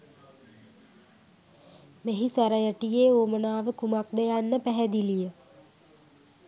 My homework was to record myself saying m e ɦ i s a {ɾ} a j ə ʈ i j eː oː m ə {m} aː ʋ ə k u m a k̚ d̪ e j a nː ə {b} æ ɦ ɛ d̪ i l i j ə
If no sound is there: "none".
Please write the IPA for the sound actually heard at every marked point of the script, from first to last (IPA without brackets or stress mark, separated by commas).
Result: ɾ, n, p